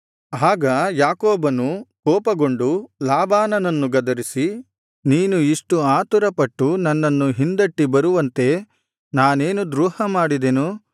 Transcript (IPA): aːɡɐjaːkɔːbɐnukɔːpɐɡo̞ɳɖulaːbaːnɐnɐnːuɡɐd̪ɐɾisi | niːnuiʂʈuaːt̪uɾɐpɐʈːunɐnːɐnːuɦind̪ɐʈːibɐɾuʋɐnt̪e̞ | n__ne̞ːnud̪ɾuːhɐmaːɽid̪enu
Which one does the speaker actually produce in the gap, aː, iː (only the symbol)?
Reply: aː